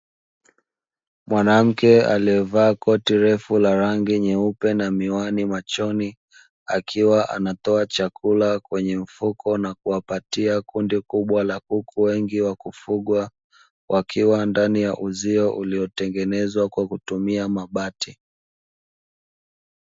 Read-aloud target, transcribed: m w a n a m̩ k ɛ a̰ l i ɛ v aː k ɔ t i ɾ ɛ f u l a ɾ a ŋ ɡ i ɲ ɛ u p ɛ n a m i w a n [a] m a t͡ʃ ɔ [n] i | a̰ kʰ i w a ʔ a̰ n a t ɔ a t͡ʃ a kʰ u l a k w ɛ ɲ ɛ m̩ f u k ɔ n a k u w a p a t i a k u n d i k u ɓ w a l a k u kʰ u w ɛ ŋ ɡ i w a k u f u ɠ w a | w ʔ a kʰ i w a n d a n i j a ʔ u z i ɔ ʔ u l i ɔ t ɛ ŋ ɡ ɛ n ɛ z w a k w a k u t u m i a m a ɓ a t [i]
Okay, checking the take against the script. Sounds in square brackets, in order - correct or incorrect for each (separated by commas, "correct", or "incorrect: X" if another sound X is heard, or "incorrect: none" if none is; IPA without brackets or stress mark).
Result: incorrect: i, correct, correct